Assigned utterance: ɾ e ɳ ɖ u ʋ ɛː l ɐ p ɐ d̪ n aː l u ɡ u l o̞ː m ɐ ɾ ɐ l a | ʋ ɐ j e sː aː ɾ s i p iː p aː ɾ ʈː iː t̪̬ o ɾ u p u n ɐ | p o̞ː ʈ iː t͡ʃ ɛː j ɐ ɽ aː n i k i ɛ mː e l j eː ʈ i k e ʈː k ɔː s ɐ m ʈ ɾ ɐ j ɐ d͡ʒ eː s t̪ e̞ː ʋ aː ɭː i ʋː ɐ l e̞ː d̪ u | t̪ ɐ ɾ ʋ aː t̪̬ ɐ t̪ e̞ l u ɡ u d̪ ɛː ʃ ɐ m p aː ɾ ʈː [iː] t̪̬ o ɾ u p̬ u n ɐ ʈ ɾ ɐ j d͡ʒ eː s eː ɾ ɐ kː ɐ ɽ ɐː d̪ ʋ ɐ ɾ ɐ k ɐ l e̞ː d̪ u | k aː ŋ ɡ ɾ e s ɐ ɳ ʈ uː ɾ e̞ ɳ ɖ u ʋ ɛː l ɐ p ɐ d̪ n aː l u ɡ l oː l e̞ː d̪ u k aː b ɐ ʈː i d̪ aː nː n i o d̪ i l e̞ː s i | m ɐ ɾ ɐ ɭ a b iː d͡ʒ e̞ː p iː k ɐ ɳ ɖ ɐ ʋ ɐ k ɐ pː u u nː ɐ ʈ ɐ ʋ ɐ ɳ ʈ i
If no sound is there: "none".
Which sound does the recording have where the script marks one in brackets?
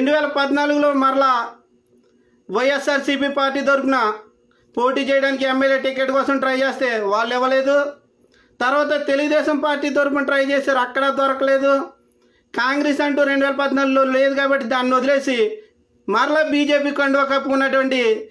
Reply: iː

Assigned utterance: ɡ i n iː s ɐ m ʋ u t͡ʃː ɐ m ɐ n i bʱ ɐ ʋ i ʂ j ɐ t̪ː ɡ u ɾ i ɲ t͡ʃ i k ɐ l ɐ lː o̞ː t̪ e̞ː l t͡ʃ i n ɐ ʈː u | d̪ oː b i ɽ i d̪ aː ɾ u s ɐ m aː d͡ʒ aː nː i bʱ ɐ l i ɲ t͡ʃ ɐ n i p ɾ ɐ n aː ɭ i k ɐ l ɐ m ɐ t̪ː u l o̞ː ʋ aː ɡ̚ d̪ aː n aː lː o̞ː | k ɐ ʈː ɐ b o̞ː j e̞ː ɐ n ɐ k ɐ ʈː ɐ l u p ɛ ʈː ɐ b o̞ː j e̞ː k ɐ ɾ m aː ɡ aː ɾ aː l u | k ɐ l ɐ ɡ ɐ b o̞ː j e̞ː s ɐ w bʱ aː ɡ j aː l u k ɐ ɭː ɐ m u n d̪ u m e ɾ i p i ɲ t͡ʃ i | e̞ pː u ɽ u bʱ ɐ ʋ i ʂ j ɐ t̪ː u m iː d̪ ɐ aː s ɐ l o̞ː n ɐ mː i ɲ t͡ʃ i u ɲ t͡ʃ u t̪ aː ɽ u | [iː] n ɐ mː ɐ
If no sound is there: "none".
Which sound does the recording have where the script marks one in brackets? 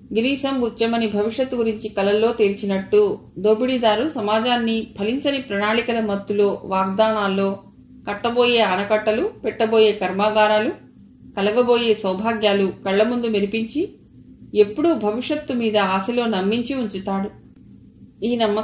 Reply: iː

